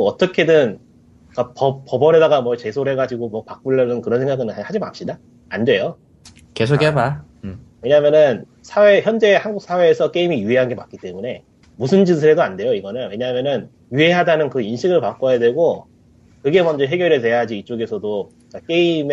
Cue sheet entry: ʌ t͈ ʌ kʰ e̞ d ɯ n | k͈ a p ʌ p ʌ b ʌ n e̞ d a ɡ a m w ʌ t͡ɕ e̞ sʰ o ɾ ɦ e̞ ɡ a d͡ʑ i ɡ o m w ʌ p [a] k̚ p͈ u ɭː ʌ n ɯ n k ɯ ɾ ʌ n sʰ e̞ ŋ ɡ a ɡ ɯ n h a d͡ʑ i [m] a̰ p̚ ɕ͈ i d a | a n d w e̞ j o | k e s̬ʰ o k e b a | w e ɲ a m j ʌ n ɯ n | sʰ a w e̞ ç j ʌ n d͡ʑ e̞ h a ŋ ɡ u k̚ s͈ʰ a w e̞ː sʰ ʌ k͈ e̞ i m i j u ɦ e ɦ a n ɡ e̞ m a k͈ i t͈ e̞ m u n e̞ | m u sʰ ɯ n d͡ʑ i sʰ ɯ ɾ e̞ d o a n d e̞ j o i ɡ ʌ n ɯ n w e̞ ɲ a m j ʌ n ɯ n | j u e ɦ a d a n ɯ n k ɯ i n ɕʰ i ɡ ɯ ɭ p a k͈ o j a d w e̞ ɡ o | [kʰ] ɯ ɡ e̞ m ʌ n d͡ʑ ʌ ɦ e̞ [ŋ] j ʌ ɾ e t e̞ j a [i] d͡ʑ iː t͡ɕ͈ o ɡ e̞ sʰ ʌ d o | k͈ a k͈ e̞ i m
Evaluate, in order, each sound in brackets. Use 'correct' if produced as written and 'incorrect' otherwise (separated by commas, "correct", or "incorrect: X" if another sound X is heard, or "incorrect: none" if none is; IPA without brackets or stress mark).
correct, correct, incorrect: k, incorrect: ɡ, incorrect: a